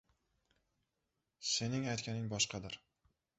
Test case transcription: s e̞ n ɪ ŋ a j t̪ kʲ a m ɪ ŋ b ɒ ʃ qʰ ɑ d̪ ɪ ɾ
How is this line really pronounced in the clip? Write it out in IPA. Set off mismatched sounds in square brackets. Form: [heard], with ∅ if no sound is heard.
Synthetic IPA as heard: s e̞ n ɪ ŋ a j t̪ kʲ a [n] ɪ ŋ b ɒ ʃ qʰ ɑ d̪ ɪ ɾ